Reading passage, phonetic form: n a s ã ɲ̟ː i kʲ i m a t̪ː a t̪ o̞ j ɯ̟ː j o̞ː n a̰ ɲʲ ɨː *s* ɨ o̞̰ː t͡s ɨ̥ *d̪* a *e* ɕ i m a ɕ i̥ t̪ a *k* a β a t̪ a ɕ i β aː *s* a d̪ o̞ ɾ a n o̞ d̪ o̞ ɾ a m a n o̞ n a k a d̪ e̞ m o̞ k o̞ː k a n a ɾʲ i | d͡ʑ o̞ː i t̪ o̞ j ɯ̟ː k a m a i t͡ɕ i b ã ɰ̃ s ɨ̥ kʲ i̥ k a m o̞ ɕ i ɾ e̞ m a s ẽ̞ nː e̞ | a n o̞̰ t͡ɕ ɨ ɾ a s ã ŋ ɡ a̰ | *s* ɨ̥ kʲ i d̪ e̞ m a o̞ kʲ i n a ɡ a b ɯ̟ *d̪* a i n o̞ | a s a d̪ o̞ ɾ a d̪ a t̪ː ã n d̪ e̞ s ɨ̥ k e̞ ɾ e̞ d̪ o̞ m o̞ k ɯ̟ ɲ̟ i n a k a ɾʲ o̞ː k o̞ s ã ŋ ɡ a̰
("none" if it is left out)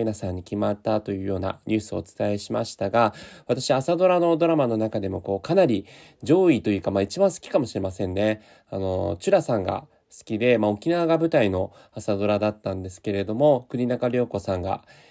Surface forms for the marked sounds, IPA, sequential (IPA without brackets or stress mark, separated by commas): s, t̪, e, ɡ, s, s, t̪